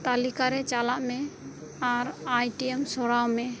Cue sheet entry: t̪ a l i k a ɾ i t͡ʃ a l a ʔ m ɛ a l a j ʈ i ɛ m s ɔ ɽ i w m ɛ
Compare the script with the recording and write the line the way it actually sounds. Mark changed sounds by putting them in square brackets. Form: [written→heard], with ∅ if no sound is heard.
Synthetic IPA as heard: t̪ a l i k a ɾ [i→ɛ] t͡ʃ a l a ʔ m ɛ a [l→ɾ] a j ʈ i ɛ m s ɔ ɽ [i→a] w m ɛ